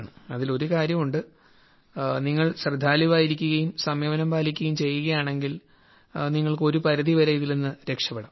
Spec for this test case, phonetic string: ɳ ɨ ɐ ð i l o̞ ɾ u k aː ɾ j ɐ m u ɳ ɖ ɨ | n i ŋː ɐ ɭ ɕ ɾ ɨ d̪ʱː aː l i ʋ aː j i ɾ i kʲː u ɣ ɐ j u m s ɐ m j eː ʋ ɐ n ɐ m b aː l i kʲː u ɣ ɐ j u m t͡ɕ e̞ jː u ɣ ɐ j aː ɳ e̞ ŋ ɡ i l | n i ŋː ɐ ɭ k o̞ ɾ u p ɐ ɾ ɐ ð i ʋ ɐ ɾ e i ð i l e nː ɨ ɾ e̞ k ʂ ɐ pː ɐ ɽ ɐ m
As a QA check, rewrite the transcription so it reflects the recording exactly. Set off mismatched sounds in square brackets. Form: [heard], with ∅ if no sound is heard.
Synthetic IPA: ɳ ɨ ɐ ð i l o̞ ɾ u k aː ɾ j ɐ m u ɳ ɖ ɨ | n i ŋː ɐ ɭ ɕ [r] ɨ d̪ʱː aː l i ʋ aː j i ɾ i kʲː u ɣ ɐ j u m s ɐ m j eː ʋ ɐ n ɐ m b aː l i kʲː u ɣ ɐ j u m t͡ɕ e̞ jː u ɣ ɐ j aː ɳ e̞ ŋ ɡ i l | n i ŋː ɐ ɭ k o̞ ɾ u p ɐ ɾ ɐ ð i ʋ ɐ ɾ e i ð i l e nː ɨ ɾ e̞ k ʂ ɐ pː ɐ ɽ ɐ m